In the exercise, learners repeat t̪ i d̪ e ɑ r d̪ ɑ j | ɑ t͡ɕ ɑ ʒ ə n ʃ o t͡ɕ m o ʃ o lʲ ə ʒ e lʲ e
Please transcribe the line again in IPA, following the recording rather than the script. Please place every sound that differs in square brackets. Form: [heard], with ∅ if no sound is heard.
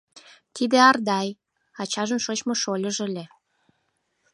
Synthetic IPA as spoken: t̪ i d̪ e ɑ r d̪ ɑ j | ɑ t͡ɕ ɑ ʒ ə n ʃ o t͡ɕ m o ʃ o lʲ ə ʒ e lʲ e